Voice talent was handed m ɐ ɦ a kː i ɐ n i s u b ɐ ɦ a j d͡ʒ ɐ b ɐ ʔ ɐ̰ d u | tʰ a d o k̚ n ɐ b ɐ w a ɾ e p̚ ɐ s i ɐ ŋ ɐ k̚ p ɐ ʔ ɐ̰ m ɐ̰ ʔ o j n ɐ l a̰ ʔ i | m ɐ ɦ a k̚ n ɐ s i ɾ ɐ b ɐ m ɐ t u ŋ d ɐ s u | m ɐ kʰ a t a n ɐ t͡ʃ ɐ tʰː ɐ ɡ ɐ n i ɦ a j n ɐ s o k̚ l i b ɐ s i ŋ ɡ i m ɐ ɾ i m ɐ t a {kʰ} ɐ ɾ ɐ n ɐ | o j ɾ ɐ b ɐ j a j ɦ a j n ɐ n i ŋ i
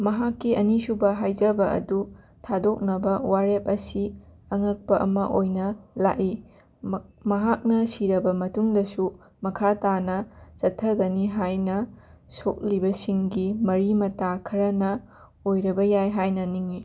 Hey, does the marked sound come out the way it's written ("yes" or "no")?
yes